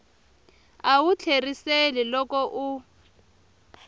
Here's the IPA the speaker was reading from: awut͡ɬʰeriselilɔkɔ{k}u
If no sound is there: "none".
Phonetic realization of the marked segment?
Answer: ʔ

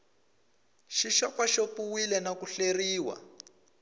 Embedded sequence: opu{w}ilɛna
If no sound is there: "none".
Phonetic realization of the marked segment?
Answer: w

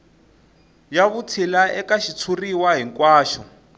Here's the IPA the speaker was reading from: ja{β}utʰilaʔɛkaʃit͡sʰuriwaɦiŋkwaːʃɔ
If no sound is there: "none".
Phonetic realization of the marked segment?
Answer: β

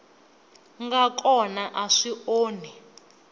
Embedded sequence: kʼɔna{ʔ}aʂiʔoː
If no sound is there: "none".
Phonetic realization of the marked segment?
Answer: ʔ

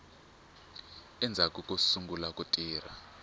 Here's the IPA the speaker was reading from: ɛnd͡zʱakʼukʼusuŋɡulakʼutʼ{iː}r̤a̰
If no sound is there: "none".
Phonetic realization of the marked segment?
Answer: iː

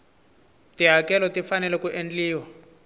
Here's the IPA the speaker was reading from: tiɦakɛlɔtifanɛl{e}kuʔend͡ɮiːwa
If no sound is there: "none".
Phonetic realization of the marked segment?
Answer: ɛ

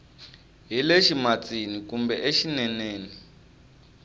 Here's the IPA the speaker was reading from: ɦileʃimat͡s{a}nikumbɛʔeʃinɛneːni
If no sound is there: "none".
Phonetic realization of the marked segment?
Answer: i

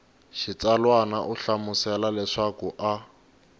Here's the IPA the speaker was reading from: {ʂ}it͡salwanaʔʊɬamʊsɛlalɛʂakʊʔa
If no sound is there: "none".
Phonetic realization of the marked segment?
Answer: ʃ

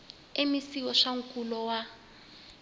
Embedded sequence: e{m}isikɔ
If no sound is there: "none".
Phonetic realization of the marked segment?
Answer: m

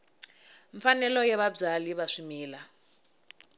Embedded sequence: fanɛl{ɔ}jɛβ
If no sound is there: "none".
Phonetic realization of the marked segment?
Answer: ɔ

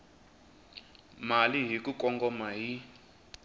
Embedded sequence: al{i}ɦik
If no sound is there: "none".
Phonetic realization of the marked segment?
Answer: i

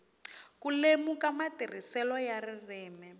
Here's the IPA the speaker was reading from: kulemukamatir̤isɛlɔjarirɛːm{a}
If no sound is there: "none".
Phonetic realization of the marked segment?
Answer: ɛ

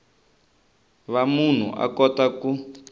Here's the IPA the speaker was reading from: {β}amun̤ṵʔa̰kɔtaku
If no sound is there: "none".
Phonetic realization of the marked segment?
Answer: β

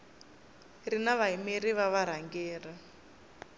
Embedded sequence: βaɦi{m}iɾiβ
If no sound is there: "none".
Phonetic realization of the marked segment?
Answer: m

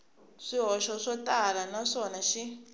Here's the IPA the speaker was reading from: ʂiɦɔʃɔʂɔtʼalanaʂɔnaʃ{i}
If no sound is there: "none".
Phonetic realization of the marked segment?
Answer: i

